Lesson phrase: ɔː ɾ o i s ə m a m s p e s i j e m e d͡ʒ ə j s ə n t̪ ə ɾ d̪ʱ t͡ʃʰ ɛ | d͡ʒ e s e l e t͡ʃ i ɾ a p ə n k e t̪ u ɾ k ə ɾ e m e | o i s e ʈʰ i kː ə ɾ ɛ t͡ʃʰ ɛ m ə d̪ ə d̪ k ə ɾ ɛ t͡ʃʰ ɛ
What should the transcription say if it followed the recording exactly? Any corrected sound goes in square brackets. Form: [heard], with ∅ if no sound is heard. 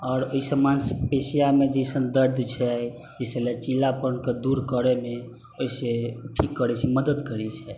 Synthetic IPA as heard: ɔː ɾ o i s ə m a [n] s p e s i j [a] m e d͡ʒ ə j s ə n [d̪] ə ɾ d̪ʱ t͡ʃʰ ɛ | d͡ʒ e s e l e t͡ʃ i [l] a p ə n k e [d̪] u ɾ k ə ɾ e m e | o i s e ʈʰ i kː ə ɾ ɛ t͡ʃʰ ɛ m ə d̪ ə d̪ k ə ɾ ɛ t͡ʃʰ ɛ